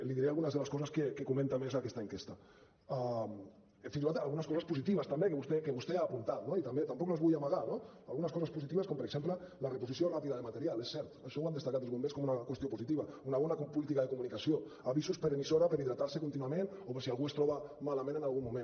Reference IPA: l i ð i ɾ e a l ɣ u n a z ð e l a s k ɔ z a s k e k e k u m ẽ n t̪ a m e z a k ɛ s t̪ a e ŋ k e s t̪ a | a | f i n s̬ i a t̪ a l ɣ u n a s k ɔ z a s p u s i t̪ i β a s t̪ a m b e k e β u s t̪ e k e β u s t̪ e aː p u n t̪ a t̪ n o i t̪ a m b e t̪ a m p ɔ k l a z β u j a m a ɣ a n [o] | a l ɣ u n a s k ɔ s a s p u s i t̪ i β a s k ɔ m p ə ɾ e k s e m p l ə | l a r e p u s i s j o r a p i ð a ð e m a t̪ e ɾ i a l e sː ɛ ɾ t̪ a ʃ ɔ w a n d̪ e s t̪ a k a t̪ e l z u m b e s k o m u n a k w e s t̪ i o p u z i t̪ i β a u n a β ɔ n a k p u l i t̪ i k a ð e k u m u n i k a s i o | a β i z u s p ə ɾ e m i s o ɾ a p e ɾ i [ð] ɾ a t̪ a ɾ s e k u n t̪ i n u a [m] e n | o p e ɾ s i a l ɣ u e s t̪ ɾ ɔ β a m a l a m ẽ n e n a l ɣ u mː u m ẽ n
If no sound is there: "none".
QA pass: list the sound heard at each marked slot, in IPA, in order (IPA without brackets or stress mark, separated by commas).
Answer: o, ð, m